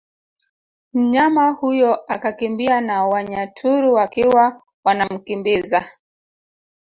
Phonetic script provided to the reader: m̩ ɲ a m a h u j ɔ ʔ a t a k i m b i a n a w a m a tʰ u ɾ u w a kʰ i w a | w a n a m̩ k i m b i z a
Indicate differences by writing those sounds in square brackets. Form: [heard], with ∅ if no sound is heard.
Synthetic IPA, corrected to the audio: m̩ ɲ a m a h u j ɔ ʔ a [k] a k i m b i a n a w a [ɲ] a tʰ u ɾ u w a [k] i w a | w a n a m̩ k i m b i z a